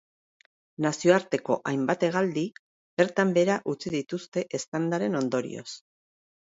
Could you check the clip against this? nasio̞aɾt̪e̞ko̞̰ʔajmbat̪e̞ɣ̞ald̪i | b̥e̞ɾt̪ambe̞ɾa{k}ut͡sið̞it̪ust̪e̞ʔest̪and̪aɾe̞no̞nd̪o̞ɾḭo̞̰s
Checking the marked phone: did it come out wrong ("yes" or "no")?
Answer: yes